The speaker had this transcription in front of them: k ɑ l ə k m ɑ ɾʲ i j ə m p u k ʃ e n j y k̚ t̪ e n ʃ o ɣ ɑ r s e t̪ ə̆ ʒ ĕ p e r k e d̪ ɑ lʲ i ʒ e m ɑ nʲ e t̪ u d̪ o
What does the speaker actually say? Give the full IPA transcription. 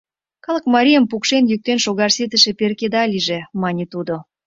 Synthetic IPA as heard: k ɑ l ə k m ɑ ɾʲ i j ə m p u k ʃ e n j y k̚ t̪ e n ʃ o ɣ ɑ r s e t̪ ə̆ ʃ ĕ p e r k e d̪ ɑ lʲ i ʒ e m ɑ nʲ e t̪ u d̪ o